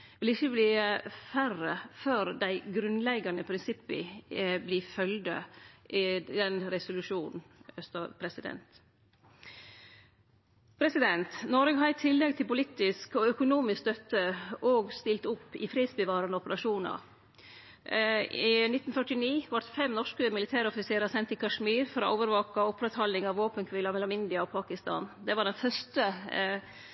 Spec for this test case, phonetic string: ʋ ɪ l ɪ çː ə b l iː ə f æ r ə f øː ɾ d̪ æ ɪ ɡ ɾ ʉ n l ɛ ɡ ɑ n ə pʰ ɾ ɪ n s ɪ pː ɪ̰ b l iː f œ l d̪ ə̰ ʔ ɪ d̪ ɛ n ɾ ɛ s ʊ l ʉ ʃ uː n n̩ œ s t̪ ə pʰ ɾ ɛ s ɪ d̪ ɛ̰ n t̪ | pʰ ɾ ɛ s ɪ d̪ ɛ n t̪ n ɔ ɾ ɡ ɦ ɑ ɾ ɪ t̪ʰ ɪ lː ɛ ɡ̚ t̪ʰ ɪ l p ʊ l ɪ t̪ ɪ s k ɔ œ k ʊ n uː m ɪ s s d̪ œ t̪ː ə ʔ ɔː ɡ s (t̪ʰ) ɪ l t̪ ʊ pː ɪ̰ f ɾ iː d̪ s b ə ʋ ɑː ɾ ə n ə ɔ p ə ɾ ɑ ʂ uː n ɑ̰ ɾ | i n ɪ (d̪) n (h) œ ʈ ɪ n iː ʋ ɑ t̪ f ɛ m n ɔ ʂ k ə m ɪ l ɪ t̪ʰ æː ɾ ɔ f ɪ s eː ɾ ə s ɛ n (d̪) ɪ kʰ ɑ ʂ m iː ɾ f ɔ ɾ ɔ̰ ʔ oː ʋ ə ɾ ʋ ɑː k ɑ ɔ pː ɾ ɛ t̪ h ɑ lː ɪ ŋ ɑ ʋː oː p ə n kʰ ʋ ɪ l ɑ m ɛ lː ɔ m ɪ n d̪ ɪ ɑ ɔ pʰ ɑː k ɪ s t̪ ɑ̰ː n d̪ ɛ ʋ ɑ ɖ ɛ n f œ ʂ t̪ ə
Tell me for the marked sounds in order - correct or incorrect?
incorrect: t̪, incorrect: t̪, incorrect: f, incorrect: t̪

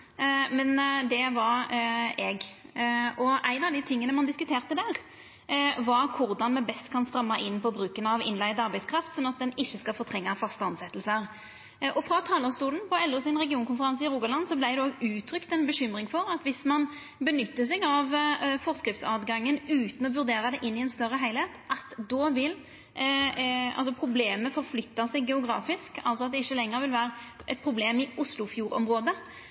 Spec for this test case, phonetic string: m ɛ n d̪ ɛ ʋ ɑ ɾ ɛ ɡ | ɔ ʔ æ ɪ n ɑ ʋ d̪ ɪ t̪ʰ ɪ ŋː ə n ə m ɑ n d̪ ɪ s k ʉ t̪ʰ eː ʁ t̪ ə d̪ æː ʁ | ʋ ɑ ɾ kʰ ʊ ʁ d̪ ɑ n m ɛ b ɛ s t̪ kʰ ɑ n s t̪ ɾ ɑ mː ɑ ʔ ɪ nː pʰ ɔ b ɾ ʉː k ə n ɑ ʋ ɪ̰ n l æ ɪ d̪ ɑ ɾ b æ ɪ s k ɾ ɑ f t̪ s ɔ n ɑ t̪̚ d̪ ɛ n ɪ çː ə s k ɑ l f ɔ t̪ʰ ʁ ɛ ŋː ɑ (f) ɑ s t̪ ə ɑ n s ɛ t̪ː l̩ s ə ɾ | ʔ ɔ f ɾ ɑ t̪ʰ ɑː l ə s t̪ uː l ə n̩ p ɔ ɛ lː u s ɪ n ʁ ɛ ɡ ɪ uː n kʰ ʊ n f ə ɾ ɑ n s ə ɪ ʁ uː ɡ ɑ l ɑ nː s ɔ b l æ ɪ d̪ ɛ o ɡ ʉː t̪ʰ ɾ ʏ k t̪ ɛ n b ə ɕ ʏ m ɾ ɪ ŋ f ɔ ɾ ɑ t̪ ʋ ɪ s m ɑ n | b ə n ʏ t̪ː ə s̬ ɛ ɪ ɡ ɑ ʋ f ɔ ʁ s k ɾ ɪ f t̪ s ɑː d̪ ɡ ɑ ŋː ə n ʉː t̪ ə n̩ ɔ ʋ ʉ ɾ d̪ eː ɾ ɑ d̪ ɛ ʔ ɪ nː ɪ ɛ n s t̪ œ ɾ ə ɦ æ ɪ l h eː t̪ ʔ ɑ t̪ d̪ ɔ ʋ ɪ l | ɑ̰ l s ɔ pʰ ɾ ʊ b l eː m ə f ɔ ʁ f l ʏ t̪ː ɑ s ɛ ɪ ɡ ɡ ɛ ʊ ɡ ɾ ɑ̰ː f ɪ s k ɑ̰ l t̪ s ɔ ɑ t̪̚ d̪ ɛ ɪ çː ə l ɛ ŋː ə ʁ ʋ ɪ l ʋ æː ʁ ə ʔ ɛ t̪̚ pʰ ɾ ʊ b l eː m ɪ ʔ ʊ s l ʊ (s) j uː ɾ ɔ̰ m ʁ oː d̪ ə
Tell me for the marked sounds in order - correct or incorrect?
correct, incorrect: f

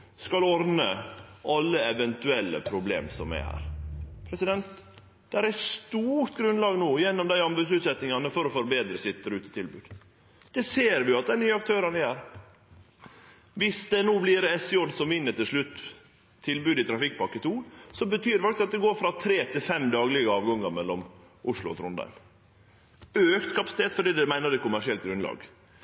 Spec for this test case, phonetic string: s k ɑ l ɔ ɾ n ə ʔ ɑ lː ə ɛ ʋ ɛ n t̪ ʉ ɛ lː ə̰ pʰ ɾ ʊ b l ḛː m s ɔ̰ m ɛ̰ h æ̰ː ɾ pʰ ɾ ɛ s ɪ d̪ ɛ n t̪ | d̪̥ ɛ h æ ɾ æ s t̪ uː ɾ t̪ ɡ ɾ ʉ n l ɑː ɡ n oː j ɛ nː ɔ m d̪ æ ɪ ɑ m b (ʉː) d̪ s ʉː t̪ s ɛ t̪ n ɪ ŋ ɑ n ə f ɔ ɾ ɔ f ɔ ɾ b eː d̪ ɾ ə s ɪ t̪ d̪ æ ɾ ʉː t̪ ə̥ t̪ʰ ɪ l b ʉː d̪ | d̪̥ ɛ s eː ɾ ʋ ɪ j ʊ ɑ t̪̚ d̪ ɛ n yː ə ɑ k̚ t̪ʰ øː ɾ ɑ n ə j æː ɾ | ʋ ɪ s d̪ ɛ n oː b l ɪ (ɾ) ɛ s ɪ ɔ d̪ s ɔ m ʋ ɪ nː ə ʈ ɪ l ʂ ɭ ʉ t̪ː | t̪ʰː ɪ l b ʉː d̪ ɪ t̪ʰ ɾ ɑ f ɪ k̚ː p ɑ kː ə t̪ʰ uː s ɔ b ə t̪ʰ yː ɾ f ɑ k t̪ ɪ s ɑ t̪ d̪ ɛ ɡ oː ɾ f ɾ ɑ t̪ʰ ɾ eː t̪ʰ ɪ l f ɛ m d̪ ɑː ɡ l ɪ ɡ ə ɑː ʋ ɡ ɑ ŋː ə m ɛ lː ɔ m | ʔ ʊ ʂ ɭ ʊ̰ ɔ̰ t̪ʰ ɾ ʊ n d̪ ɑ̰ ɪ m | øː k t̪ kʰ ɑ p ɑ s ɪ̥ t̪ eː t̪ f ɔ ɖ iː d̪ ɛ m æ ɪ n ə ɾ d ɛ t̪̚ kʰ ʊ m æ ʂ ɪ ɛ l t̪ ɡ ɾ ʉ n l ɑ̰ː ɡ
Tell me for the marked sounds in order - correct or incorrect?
incorrect: ʉ, correct

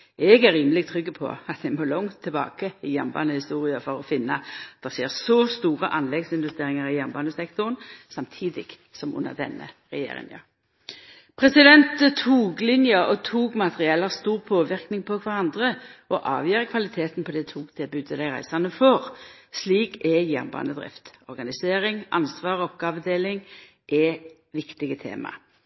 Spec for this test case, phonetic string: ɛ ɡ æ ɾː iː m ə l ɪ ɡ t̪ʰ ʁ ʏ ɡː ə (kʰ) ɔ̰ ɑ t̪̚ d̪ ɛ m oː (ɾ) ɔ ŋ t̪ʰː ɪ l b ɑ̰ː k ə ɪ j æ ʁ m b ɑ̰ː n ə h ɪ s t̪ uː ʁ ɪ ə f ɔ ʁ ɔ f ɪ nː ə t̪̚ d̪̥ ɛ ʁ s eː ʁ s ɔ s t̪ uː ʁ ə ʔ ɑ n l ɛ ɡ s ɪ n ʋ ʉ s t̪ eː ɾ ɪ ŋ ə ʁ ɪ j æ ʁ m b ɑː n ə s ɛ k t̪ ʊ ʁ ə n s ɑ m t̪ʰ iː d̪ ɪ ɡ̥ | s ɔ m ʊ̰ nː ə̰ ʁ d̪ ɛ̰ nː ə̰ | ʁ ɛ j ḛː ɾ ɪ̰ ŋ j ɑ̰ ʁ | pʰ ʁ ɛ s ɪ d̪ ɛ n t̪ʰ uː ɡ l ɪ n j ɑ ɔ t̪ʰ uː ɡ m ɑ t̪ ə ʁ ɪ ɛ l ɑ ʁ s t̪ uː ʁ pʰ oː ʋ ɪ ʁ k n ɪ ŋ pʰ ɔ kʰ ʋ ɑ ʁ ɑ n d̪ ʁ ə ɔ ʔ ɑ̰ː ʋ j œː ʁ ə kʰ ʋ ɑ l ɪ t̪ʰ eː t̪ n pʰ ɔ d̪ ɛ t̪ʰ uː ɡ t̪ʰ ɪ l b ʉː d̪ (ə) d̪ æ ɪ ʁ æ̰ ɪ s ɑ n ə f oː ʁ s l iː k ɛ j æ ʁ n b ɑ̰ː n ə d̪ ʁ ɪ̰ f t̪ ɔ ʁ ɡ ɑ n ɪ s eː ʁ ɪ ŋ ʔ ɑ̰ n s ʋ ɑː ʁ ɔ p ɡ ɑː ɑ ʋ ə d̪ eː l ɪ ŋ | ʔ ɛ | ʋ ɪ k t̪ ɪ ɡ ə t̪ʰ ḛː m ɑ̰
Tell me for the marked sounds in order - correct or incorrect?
incorrect: pʰ, incorrect: l, correct

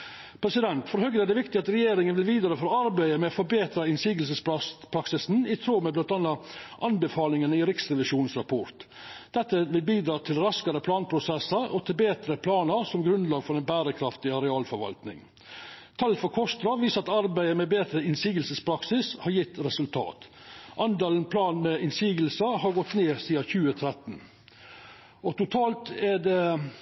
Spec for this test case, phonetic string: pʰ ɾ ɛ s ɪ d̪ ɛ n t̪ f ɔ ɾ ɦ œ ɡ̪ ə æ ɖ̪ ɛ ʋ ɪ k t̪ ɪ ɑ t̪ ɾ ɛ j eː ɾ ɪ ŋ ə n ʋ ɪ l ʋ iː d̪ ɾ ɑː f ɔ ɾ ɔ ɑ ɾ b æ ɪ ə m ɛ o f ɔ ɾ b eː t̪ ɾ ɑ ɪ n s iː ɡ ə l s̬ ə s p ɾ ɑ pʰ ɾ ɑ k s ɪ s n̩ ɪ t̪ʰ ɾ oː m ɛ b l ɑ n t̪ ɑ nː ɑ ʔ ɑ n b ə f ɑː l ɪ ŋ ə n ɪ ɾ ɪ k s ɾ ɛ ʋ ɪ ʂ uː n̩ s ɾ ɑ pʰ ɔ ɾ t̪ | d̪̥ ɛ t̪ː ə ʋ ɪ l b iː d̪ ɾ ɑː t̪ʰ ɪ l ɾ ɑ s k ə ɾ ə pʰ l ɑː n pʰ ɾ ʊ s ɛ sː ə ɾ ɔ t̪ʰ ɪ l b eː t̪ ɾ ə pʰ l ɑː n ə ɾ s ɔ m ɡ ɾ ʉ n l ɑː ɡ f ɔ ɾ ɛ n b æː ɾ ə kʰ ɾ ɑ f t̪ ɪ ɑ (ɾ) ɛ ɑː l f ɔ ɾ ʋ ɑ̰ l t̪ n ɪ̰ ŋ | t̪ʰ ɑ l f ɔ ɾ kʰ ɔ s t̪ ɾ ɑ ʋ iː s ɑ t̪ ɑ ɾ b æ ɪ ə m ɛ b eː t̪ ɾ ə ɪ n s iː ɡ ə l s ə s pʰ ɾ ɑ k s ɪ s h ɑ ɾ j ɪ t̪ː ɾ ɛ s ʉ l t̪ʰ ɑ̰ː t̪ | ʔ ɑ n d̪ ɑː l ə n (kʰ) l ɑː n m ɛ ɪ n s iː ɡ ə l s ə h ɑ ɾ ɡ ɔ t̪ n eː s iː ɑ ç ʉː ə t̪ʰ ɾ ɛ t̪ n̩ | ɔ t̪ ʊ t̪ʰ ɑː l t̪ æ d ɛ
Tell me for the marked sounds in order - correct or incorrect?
correct, incorrect: pʰ

